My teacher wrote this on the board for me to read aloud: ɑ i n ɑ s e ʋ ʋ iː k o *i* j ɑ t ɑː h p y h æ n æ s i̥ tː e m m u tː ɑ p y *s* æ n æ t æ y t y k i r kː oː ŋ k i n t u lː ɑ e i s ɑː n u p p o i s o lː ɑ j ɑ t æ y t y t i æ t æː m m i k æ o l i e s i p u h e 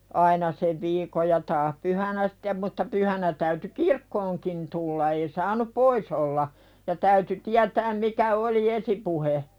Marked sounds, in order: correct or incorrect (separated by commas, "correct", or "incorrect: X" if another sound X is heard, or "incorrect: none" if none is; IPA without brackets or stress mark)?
incorrect: j, incorrect: h